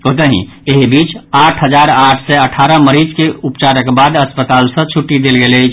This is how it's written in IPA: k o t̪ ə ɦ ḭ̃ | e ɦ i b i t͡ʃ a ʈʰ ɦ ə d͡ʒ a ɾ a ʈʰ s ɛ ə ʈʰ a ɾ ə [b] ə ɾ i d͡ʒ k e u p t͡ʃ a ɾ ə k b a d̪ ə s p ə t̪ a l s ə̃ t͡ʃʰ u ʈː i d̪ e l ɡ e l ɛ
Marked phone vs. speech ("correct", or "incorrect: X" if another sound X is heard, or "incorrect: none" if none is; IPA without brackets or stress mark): incorrect: m